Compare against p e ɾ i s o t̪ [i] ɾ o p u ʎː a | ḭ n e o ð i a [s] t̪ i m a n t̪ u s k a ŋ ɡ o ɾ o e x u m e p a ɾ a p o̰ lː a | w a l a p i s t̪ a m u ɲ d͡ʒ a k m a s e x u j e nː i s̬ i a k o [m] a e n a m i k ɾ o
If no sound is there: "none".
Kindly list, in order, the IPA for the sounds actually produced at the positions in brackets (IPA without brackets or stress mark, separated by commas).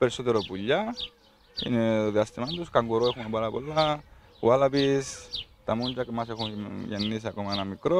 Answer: e, s, m